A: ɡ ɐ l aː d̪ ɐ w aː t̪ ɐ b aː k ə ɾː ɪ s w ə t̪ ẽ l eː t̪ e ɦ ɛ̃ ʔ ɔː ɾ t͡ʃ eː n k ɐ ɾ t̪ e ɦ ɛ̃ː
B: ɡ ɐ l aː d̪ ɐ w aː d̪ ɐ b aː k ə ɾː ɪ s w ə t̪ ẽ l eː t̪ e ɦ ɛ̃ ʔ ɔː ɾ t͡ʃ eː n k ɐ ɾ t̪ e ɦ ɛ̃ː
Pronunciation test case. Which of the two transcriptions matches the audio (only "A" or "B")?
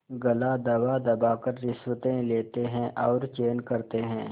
B